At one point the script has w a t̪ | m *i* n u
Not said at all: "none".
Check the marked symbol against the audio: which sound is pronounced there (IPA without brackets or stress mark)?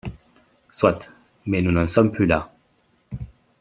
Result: ɛ